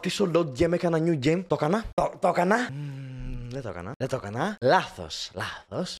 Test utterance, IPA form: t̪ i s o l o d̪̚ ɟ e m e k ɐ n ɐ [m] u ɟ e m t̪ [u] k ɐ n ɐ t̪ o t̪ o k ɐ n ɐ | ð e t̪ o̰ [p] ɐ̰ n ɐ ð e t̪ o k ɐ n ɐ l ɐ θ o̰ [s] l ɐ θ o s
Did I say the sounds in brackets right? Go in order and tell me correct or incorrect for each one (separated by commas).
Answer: incorrect, incorrect, incorrect, correct